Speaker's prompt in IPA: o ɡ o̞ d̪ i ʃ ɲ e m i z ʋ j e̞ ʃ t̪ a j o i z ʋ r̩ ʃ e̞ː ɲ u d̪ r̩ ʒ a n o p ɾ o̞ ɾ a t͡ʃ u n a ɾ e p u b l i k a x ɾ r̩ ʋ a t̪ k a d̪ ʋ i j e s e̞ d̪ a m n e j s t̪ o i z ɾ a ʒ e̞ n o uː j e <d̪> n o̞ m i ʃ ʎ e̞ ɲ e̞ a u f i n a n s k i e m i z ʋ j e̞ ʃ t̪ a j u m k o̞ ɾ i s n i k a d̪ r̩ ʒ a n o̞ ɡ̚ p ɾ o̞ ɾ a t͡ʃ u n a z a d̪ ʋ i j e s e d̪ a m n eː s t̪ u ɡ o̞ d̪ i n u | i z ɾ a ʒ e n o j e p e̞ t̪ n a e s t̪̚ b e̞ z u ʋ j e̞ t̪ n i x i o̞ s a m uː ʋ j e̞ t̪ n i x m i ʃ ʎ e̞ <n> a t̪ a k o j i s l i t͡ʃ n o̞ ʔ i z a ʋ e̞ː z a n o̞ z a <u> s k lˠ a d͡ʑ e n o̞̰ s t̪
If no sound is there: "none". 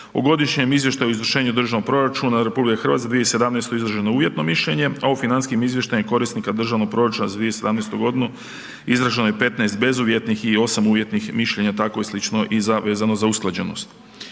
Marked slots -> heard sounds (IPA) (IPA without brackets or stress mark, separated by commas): t̪, ɲ, u